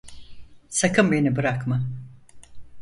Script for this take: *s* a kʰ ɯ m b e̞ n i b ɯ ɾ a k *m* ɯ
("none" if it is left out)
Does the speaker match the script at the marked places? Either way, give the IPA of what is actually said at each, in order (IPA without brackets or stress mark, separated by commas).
s, m